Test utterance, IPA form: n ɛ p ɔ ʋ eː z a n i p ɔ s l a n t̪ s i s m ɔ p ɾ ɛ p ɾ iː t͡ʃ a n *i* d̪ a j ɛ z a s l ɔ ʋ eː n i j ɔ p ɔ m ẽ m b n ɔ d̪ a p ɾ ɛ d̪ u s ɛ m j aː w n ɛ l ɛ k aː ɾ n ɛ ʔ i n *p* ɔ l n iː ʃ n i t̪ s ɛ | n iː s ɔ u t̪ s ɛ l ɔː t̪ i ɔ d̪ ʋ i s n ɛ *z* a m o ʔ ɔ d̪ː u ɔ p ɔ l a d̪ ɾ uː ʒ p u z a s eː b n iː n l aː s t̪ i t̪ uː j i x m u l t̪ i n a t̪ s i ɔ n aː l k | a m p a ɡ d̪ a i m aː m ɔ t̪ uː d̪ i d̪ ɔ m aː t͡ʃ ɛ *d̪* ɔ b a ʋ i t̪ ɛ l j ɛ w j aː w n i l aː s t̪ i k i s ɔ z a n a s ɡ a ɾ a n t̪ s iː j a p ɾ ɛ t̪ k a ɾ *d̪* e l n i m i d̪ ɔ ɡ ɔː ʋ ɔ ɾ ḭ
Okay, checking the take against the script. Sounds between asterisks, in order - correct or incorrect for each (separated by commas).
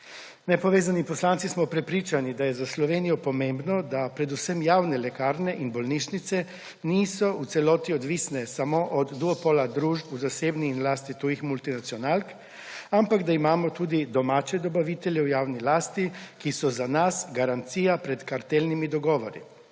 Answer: correct, incorrect, incorrect, correct, incorrect